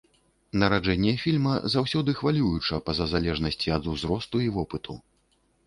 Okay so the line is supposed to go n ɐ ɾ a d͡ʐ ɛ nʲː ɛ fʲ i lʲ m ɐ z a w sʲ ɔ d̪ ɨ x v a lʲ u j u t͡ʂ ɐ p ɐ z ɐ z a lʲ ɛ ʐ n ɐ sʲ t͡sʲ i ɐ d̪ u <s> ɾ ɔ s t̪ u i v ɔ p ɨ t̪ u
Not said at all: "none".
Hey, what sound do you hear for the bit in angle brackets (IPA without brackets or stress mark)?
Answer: z